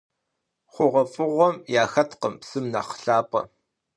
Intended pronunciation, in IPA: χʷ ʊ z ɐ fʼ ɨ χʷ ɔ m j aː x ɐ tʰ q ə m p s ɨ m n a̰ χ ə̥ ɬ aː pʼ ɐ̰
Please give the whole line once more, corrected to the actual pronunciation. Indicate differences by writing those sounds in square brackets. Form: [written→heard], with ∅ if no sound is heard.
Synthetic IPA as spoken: χʷ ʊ [z→ʁ] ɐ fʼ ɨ [χʷ→ʁʷ] ɔ m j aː x ɐ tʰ q ə m p s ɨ m n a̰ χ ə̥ ɬ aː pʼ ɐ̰